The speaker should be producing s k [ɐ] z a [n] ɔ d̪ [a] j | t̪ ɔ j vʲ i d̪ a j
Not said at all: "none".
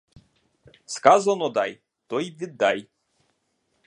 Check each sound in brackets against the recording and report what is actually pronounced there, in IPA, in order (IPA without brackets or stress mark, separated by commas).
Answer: a, n, a